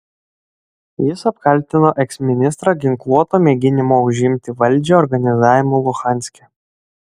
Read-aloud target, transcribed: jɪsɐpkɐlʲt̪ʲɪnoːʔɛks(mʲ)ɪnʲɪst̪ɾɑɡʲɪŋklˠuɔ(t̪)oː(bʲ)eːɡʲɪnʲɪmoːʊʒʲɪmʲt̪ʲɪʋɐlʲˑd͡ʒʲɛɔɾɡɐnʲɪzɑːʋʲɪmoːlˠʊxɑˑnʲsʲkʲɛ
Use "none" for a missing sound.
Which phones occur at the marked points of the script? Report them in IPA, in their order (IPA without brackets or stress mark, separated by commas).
mʲ, t̪, mʲ